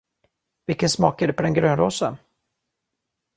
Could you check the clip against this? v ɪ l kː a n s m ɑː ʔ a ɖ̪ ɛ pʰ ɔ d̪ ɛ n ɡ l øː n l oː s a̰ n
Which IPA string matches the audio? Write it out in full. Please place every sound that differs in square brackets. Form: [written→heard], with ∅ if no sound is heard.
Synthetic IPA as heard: v ɪ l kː [a→ə] n s m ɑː [ʔ→k] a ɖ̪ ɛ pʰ ɔ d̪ ɛ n ɡ [l→ɾ] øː n [l→ɾ] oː s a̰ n